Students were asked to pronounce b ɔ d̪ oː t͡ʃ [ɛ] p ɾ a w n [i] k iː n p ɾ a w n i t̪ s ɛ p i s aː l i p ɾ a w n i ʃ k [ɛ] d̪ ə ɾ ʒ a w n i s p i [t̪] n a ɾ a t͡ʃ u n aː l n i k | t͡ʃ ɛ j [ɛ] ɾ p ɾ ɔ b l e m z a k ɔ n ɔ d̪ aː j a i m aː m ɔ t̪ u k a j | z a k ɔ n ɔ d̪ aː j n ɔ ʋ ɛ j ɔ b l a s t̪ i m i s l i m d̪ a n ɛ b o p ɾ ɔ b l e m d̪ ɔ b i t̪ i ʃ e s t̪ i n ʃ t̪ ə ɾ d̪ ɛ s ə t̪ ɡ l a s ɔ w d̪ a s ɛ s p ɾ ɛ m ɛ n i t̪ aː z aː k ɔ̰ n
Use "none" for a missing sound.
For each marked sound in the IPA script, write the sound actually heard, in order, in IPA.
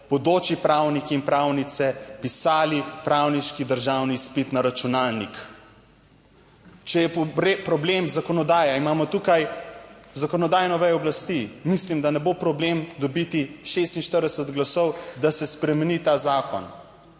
i, i, i, t̪, ɛ

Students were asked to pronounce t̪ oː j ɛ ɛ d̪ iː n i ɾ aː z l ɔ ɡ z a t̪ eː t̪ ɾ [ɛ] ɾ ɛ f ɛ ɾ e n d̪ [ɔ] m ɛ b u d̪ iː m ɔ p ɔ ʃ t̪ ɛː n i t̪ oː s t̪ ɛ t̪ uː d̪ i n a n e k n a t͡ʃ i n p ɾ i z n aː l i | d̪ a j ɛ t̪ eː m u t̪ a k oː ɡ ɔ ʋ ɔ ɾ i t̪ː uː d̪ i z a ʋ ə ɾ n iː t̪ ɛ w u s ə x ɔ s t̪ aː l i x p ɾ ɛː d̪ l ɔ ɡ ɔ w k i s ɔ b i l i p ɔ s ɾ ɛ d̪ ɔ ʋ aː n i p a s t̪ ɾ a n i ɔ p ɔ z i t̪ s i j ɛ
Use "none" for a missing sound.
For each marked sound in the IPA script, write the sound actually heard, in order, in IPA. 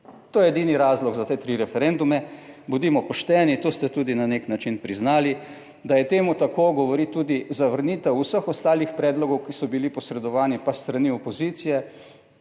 i, u

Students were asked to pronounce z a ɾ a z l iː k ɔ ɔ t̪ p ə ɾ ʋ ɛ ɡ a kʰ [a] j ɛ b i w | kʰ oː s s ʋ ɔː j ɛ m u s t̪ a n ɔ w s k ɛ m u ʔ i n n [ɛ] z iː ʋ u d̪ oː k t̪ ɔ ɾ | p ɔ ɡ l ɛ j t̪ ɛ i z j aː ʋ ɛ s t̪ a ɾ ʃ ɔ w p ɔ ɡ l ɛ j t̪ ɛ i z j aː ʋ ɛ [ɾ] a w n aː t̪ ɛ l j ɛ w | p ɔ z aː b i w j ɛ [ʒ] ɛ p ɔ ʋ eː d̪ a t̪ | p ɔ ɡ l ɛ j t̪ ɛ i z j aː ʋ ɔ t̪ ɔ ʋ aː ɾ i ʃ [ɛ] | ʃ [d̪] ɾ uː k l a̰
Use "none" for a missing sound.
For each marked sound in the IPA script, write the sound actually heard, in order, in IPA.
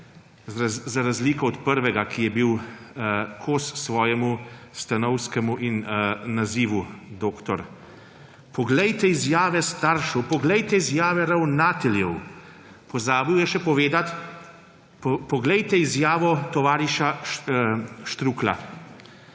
i, a, ɾ, ʃ, a, t̪

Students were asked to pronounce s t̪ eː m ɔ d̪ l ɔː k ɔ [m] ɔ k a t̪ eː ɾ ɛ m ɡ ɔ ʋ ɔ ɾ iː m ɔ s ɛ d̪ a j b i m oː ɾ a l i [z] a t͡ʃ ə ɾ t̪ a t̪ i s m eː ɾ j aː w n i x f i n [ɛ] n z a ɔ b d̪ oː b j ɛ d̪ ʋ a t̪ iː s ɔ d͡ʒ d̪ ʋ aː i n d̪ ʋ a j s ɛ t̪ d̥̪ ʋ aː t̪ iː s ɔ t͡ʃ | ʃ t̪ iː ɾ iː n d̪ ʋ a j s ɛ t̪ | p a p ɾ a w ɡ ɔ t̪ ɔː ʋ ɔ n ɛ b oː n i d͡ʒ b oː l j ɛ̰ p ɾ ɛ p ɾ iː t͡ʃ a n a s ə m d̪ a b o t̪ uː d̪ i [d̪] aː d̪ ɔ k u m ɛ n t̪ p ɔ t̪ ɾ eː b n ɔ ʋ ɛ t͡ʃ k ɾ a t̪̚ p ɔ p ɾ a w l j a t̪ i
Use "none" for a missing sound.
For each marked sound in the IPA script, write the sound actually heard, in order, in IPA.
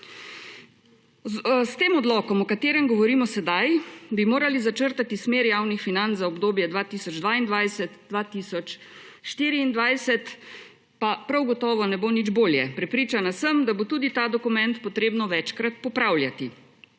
m, z, a, t̪

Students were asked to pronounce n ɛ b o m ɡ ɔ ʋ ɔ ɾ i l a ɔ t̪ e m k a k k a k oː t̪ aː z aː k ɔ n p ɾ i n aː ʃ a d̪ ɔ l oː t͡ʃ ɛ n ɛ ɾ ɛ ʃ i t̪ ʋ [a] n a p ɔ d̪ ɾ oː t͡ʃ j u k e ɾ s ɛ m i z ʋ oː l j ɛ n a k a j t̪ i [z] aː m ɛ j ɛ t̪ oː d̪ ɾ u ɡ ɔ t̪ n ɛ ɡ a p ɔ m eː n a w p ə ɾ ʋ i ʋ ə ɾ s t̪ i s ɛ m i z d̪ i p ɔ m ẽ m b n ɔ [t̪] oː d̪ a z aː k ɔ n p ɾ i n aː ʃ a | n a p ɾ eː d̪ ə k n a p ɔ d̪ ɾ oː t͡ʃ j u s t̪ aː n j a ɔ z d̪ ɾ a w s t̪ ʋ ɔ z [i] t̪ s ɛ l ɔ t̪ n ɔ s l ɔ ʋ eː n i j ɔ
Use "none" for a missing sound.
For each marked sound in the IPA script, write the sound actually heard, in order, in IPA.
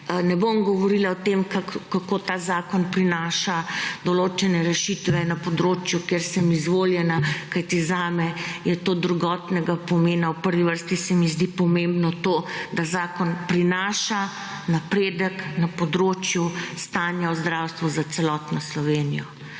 ɛ, z, t̪, a

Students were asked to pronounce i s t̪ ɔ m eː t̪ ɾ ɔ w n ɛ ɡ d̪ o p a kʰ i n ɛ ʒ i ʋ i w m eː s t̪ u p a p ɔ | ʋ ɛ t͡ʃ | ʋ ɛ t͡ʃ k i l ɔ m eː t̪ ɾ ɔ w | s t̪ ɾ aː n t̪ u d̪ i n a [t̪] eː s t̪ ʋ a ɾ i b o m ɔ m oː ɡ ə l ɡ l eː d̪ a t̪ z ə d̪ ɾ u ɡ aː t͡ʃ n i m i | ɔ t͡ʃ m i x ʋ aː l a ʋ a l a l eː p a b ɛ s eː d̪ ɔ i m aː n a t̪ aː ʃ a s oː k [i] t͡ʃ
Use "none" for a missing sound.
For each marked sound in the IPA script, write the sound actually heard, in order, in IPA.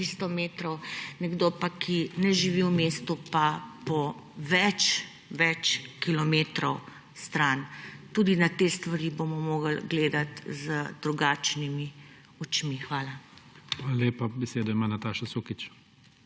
t̪, i

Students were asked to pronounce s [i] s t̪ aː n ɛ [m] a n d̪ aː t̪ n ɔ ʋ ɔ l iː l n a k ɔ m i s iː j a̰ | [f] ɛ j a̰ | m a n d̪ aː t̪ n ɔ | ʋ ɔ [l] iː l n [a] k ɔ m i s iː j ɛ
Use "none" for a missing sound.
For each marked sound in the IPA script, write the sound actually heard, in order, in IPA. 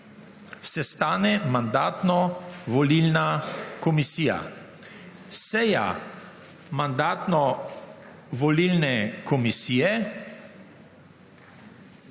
ɛ, m, s, l, ɛ

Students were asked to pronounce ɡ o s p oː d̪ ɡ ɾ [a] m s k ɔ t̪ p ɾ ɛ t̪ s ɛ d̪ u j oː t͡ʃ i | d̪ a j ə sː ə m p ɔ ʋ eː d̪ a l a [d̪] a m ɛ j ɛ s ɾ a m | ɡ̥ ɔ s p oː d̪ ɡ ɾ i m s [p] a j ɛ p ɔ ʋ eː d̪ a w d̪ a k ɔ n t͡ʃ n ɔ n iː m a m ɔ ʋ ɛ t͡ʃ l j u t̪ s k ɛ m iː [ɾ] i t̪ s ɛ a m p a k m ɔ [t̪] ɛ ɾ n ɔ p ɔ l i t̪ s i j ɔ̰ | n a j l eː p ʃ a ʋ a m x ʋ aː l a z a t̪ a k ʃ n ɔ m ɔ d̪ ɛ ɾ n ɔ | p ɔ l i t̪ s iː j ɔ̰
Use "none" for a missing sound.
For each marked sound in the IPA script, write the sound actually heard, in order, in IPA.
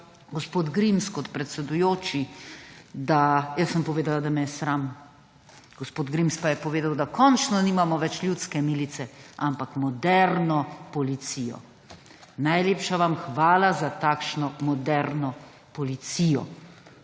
i, d̪, p, l, d̪

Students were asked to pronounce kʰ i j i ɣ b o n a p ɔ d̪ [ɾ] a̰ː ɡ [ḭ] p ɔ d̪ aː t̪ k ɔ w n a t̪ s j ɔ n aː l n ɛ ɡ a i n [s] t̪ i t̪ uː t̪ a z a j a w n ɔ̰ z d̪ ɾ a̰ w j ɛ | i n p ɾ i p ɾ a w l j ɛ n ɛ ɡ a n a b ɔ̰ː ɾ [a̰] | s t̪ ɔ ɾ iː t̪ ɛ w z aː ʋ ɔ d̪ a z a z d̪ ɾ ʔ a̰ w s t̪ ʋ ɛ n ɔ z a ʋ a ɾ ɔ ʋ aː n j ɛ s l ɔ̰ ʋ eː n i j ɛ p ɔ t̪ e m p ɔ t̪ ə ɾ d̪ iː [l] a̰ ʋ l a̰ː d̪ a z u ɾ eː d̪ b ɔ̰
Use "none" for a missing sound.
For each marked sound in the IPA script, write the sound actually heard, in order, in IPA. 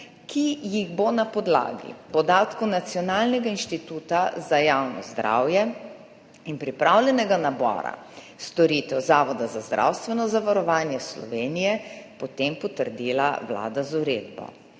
l, ḭ, ʃ, a̰, l

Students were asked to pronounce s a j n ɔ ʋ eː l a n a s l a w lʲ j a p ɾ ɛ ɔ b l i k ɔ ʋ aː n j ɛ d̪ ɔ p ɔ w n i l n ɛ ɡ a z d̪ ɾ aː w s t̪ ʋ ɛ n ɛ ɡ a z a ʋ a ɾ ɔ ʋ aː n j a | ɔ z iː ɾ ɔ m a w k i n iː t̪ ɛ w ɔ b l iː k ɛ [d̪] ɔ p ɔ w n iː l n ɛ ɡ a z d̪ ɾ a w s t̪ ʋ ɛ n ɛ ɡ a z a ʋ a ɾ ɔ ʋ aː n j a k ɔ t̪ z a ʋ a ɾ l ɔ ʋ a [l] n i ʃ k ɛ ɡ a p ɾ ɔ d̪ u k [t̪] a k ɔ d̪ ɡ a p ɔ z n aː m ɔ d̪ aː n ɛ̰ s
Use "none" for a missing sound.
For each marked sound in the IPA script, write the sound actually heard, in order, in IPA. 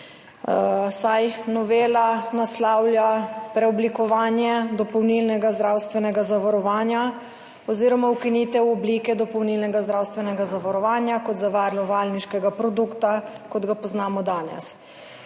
d̪, l, t̪

